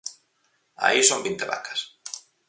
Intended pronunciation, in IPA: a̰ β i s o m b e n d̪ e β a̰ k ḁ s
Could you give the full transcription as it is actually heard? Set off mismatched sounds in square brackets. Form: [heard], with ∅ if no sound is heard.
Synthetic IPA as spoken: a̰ [∅] i s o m b [i] n [t̪] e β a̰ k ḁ s